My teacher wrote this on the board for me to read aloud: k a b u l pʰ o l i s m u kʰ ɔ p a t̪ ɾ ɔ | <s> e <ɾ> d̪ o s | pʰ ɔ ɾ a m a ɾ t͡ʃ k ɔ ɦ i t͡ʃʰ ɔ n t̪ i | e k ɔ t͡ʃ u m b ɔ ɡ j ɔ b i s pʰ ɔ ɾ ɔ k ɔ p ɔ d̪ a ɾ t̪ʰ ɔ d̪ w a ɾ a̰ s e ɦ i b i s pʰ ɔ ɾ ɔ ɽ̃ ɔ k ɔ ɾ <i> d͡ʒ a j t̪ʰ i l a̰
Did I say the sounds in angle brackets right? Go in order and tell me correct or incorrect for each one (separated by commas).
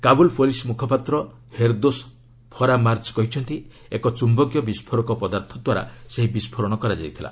incorrect, correct, incorrect